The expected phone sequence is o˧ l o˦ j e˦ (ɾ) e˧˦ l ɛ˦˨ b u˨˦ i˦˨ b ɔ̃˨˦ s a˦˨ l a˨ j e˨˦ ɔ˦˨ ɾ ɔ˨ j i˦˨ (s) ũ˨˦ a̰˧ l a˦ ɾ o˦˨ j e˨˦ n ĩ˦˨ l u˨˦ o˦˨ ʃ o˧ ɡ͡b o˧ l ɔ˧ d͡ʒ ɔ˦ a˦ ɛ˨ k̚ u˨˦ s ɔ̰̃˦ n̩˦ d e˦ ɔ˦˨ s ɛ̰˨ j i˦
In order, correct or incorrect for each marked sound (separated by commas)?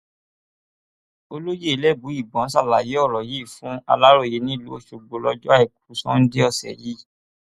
incorrect, incorrect